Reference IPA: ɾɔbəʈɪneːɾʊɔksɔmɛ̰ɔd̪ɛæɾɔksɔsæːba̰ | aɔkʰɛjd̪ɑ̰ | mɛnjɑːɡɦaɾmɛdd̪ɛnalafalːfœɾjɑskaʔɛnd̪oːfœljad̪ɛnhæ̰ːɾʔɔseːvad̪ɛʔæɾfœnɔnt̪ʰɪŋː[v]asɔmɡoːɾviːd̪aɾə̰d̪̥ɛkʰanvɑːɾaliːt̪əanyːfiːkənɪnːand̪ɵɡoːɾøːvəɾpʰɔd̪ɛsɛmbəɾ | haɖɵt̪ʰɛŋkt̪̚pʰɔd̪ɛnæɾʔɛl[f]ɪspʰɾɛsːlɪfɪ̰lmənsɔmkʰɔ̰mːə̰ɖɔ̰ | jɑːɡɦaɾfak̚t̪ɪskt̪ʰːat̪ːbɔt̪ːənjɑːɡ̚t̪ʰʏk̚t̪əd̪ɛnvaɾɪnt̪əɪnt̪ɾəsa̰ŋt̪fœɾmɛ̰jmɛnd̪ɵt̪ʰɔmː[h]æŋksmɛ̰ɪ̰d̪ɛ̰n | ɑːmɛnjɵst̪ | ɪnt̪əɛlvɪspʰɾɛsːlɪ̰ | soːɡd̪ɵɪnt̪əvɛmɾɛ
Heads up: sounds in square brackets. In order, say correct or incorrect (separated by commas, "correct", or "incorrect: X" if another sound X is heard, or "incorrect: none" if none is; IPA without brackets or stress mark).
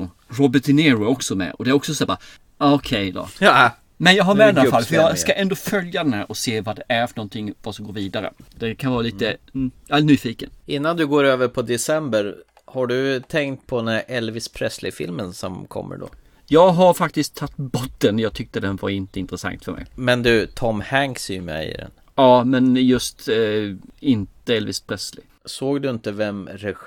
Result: correct, incorrect: v, correct